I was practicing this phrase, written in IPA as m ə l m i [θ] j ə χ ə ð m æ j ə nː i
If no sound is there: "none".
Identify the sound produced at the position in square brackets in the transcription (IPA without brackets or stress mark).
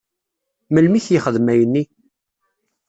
θ